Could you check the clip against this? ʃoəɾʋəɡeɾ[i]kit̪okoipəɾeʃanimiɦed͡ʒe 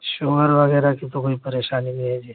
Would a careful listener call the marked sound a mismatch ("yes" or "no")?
yes